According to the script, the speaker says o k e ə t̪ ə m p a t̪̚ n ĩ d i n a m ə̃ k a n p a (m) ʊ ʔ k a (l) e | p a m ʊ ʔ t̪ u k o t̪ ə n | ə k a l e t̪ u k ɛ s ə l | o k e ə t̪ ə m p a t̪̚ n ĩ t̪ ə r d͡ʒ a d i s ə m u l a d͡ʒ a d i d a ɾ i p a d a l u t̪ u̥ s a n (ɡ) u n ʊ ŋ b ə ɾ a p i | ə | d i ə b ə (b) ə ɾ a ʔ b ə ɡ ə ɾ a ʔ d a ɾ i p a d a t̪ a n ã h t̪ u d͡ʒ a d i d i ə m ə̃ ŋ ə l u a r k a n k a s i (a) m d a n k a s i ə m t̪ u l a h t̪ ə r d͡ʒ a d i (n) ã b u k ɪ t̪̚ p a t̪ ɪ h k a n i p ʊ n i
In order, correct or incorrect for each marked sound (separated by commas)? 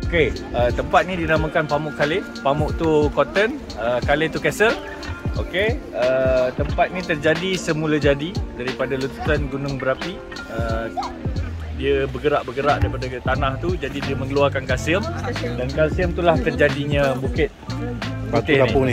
correct, correct, correct, incorrect, incorrect, incorrect